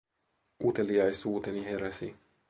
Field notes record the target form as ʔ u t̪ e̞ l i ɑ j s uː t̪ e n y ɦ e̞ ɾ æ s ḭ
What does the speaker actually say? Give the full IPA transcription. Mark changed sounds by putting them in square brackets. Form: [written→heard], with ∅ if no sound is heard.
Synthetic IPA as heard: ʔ u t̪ e̞ l i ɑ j s uː t̪ e n [y→i] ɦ e̞ ɾ æ s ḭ